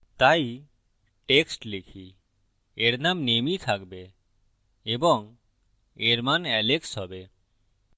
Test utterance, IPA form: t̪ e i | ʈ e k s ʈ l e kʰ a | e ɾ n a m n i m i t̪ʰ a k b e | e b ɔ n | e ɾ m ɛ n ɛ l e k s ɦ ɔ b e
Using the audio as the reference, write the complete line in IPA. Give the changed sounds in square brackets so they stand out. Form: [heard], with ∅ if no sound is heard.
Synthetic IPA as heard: t̪ [a] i | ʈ e k s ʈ l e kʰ [i] | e ɾ n a m n [e] m i t̪ʰ a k b e | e b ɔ [ŋ] | e ɾ m [a] n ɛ l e k s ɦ ɔ b e